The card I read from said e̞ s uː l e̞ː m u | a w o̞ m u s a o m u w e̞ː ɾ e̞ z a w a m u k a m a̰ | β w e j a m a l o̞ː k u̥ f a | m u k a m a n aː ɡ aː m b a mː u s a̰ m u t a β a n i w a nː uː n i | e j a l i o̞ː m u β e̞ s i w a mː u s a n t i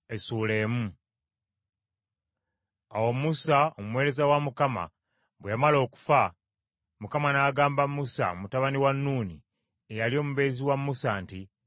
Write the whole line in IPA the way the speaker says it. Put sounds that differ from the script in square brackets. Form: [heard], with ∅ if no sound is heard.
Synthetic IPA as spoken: e̞ s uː l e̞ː m u | a w o̞ m u s a o m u w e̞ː ɾ e̞ z a w a m u k a m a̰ | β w e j a m a l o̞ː k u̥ f a | m u k a m a n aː ɡ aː m b a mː u s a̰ m u t a β a n i w a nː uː n i | e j a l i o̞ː m u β e̞ [z] i w a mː u s a n t i

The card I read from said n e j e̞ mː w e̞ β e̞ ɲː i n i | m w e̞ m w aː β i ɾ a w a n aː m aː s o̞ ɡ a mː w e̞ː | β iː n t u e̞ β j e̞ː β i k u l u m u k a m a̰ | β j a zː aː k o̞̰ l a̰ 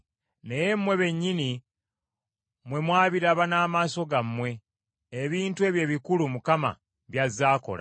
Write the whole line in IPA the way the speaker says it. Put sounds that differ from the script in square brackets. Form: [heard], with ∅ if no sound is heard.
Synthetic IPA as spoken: n e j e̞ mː w e̞ β e̞ ɲː i n i | m w e̞ m w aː β i ɾ a [β] a n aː m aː s o̞ ɡ a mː w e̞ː | β iː n t u e̞ β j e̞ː β i k u l u m u k a m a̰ | β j a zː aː k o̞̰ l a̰

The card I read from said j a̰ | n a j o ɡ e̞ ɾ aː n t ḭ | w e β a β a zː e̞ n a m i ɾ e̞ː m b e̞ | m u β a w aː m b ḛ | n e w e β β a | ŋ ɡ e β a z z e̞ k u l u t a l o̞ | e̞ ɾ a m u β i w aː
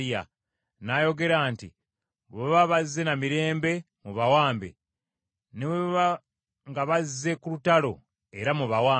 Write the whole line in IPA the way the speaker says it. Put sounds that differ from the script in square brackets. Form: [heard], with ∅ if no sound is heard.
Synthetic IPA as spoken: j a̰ | n a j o ɡ e̞ ɾ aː n t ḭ | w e β a β a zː e̞ n a m i ɾ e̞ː m b e̞ | m u β a w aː m b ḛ | n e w e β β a | ŋ ɡ [a] β a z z e̞ k u l u t a l o̞ | e̞ ɾ a m u β [a] w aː

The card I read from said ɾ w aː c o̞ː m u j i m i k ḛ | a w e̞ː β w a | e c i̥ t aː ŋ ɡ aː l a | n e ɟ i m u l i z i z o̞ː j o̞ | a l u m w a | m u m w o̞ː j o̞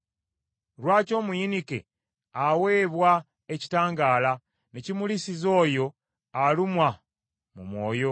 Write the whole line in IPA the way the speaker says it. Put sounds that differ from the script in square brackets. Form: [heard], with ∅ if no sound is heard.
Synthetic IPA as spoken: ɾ w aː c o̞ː m u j i [n] i k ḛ | a w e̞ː β w a | e c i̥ t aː ŋ ɡ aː l a | n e [c] i m u l i [s] i z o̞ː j o̞ | a l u m w a | m u m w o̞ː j o̞

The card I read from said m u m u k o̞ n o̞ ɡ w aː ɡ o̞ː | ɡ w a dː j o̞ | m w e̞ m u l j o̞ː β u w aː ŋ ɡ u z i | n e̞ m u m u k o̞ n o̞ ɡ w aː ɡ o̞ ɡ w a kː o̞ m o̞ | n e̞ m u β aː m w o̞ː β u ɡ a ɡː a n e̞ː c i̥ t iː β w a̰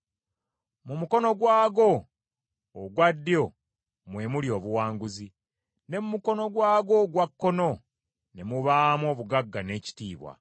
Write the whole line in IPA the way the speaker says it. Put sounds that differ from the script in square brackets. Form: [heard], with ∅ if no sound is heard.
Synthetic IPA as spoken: m u m u k o̞ n o̞ ɡ w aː ɡ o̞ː | ɡ w a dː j o̞ | m w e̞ m u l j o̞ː β u w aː ŋ ɡ u z i | n e̞ m u m u k o̞ n o̞ ɡ w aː ɡ o̞ ɡ w a kː o̞ [n] o̞ | n e̞ m u β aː m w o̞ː β u ɡ a ɡː a n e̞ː c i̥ t iː β w a̰

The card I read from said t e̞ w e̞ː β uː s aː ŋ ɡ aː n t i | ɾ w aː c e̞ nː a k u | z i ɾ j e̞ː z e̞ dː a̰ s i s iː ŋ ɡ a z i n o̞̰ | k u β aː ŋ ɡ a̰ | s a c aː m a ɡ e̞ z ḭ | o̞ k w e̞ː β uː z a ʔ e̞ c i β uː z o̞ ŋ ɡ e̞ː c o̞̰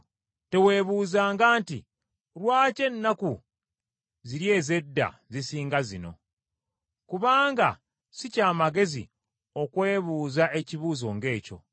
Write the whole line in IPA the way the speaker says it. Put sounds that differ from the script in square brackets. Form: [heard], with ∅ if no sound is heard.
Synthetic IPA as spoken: t e̞ w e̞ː β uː [z] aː ŋ ɡ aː n t i | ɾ w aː c e̞ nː a k u | z i ɾ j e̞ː z e̞ dː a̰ [z] i s iː ŋ ɡ a z i n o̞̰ | k u β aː ŋ ɡ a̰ | s [i] c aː m a ɡ e̞ z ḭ | o̞ k w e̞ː β uː z a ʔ e̞ c i β uː z o̞ ŋ ɡ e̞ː c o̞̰

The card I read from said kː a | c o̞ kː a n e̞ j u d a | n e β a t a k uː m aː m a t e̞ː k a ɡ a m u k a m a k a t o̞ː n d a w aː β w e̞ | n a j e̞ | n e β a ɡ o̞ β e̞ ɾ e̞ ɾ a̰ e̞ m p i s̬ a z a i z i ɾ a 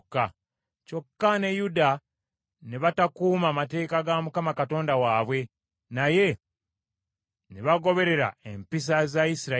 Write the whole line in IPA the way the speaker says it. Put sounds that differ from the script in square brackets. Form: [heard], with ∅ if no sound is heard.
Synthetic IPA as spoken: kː a | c o̞ kː a n e̞ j u d a | n e β a t a k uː m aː m a t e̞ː k a ɡ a m u k a m a k a t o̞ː n d a w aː β w e̞ | n a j e̞ | n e β a ɡ o̞ β e̞ ɾ e̞ ɾ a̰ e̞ m p i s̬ a z a i [s] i ɾ a

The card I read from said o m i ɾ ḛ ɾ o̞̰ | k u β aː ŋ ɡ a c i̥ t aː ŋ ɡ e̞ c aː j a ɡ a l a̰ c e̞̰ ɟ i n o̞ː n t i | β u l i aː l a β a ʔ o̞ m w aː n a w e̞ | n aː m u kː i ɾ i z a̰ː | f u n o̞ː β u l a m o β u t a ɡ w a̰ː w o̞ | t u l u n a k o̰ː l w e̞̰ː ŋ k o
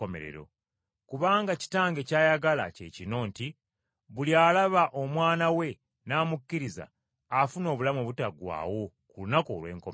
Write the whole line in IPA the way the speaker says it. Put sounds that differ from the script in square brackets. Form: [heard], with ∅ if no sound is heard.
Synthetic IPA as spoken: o m [e] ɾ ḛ ɾ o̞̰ | k u β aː ŋ ɡ a c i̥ t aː ŋ ɡ e̞ c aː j a ɡ a l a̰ c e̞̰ [c] i n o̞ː n t i | β u l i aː l a β a ʔ o̞ m w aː n a w e̞ | n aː m u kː i ɾ i z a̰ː | f u n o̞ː β u l a m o β u t a ɡ w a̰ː w o̞ | [k] u l u n a k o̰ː l w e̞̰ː ŋ k o

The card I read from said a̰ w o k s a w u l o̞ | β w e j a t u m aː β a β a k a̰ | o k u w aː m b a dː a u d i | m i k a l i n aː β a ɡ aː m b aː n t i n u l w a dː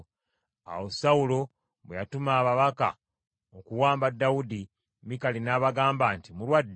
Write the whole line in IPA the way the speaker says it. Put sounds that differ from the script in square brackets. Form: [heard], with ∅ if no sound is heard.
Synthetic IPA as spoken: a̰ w o [∅] s a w u l o̞ | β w e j a t u m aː β a β a k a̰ | o k u w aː m b a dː a u d i | m i k a l i n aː β a ɡ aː m b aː n t i [m] u l w a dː

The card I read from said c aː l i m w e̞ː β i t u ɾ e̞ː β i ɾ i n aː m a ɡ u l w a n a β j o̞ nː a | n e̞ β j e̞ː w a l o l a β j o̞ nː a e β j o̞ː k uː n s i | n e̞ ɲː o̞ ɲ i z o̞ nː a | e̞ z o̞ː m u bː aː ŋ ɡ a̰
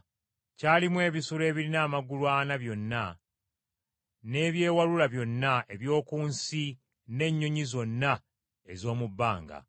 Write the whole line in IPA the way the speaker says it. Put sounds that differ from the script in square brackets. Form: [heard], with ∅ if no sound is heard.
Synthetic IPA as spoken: c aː l i m w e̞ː β i [s] u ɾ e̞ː β i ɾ i n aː m a ɡ u l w a n a β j o̞ nː a | n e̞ β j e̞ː w a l [u] l a β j o̞ nː a e β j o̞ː k uː n s i | n e̞ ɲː o̞ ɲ i z o̞ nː a | e̞ z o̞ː m u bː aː ŋ ɡ a̰

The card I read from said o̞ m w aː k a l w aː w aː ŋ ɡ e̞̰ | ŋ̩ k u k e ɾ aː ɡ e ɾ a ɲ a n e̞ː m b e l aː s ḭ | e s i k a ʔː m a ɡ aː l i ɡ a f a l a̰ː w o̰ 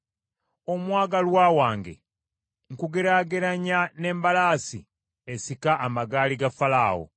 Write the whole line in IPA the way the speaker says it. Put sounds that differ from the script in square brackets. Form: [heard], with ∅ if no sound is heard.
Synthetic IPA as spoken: o̞ m w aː [ɡ] a l w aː w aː ŋ ɡ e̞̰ | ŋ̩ k u [ɡ] e ɾ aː ɡ e ɾ a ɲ a n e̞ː m b [a] l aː s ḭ | e s i k a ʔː m a ɡ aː l i ɡ a f a l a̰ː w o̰

